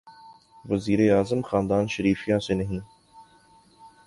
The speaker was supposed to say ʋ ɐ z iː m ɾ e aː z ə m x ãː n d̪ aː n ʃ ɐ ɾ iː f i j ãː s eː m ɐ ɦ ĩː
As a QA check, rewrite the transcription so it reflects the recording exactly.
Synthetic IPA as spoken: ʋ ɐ z iː ɾ e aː z ə m x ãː n d̪ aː n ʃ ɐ ɾ iː f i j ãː s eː n ɐ ɦ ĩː